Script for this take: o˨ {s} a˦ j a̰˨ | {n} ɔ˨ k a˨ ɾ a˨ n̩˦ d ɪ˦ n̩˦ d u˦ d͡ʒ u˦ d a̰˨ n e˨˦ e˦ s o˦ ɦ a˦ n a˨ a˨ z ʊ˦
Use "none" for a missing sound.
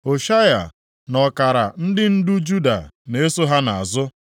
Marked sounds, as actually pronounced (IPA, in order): ʃ, n

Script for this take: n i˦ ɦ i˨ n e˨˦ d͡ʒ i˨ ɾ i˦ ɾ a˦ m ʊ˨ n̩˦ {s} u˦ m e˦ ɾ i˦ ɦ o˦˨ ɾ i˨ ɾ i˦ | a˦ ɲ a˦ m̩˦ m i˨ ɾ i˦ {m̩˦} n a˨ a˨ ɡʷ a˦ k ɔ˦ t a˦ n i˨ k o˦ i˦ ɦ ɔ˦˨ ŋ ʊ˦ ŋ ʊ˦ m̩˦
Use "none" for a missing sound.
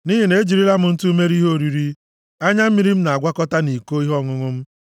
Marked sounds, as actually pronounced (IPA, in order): t, m̩˦

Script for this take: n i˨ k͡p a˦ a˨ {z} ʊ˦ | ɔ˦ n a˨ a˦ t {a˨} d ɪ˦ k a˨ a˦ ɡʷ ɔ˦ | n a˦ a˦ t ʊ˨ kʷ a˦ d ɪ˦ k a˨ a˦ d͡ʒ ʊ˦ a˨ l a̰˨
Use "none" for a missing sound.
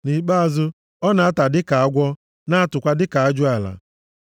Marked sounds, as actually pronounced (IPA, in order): z, a˨

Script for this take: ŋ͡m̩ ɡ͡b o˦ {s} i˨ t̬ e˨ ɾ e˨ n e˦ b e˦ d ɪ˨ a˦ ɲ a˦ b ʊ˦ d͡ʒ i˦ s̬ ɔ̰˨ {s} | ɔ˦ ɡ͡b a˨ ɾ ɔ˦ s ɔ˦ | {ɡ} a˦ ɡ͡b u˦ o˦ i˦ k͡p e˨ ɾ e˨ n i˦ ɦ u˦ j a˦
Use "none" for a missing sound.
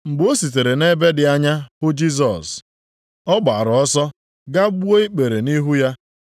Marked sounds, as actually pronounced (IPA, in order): s, s, ɡ

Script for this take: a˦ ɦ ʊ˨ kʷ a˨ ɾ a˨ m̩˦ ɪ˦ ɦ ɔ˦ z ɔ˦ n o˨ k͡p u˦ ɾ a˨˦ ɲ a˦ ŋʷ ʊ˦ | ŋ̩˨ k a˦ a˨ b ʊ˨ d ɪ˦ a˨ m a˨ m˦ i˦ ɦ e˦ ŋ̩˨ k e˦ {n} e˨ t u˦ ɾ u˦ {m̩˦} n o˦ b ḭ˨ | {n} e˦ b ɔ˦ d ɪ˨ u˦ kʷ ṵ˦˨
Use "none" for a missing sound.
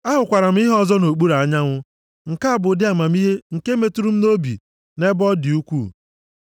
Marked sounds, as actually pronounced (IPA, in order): m, m̩˦, n

